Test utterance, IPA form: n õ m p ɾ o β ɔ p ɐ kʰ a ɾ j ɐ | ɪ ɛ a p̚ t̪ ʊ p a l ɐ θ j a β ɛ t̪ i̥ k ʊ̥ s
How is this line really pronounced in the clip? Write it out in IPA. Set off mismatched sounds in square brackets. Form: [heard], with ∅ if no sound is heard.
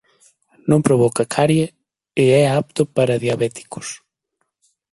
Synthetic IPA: n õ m p ɾ o β ɔ [k] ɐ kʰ a ɾ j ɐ | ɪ ɛ a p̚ t̪ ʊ p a [ɾ] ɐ [ð] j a β ɛ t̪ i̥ k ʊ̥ s

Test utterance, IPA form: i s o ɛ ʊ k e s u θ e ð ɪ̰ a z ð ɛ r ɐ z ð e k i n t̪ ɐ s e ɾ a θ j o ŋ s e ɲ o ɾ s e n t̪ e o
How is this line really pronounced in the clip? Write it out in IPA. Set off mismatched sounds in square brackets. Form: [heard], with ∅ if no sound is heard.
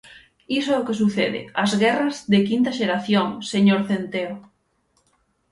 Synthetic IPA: i s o ɛ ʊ k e s u θ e ð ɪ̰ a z [ɣ] ɛ r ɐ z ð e k i n t̪ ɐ [ʃ] e ɾ a θ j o ŋ s e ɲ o ɾ [θ] e n t̪ e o

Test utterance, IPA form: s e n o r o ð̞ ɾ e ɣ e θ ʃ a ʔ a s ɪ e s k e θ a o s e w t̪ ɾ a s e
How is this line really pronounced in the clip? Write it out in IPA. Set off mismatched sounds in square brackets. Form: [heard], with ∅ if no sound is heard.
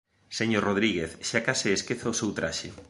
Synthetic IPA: s e [ɲ] o r o ð̞ ɾ [i] ɣ e θ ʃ a [k] a s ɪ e s k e θ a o s e w t̪ ɾ a [ʃ] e

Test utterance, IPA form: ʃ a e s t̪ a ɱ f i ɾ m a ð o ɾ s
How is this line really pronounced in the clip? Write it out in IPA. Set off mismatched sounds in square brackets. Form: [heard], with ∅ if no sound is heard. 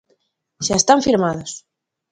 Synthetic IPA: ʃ a e s t̪ a ɱ f i ɾ m a ð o [∅] s

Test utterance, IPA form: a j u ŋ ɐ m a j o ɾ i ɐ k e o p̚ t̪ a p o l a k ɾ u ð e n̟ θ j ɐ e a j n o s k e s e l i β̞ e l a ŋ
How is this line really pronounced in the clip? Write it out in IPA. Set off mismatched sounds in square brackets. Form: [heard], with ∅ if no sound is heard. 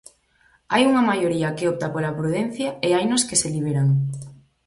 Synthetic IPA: a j u ŋ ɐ m a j o ɾ i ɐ k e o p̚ t̪ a p o l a [p] ɾ u ð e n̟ θ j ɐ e a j n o s k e s e l i β̞ e [ɾ] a ŋ

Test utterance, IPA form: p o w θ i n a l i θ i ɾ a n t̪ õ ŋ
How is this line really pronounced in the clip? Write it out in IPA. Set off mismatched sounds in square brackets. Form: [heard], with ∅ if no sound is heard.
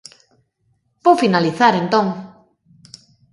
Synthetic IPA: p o w [f] i n a l i θ [a] ɾ [e] n t̪ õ ŋ

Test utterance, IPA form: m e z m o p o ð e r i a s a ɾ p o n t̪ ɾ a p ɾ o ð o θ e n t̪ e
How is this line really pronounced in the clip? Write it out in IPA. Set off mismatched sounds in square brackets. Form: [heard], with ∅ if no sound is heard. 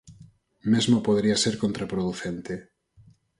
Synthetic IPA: m e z m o p o ð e [ɾ] i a s [e] ɾ [k] o n t̪ ɾ a p ɾ o ð [u] θ e n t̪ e

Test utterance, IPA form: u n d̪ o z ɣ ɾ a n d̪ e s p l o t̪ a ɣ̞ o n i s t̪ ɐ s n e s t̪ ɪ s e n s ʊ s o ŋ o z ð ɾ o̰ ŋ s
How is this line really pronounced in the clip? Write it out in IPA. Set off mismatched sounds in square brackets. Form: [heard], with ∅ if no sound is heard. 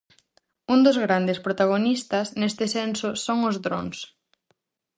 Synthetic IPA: u n d̪ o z ɣ ɾ a n d̪ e s p [ɾ] o t̪ a ɣ̞ o n i s t̪ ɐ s n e s t̪ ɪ s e n s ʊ s o ŋ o z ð ɾ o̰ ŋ s

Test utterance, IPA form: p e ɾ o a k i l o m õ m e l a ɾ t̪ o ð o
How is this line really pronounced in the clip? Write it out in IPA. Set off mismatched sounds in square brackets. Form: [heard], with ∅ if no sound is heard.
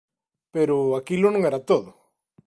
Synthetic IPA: p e ɾ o a k i l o [n] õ [ŋ] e [ɾ] a [∅] t̪ o ð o

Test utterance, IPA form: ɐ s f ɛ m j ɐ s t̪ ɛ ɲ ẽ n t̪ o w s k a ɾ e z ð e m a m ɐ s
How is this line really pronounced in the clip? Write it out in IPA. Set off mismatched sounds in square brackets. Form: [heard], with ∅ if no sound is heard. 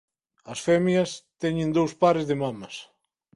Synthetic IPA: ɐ s f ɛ m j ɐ s t̪ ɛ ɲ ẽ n [d̪] o w s [p] a ɾ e z ð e m a m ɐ s

